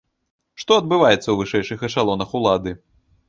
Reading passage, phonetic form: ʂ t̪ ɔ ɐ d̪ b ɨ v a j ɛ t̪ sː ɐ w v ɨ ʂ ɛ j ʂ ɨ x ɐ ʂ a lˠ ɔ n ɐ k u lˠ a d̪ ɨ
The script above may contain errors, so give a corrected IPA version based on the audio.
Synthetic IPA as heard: ʂ t̪ ɔ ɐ d̪ b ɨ v a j ɛ t̪ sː ɐ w v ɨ ʂ ɛ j ʂ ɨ x ɐ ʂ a lˠ ɔ n ɐ x u lˠ a d̪ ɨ